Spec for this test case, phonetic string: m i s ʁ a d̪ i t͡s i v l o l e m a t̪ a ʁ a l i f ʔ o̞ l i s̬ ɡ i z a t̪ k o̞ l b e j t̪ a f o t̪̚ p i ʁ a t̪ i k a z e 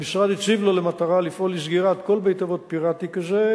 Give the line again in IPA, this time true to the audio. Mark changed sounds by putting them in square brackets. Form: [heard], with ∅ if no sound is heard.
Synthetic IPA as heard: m i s ʁ a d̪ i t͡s i v l o l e m a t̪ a ʁ a l i f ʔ o̞ l i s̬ ɡ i [ʁ] a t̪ k o̞ l b e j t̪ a [v] o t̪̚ p i ʁ a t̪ i k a z e